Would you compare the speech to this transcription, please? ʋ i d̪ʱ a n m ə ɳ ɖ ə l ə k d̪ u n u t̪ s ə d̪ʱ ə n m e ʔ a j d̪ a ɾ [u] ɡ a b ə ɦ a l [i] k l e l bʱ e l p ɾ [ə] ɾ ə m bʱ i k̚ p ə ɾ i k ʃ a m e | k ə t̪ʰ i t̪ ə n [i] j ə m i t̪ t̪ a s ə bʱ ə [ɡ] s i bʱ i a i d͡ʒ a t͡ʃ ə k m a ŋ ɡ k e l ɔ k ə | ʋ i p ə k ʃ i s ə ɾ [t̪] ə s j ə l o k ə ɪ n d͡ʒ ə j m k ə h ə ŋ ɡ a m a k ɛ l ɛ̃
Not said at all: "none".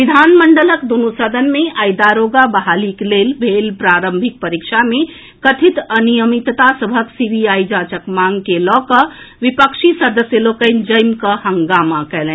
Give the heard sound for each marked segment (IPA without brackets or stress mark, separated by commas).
o, i, a, i, k, d̪